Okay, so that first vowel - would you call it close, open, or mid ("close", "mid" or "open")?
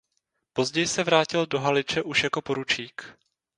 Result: mid